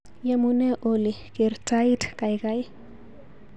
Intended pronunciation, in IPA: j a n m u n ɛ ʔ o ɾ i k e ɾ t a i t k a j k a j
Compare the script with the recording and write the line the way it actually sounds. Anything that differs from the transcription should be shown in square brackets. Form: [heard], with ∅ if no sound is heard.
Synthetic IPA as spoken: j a [∅] m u n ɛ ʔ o [l] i k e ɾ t a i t k a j k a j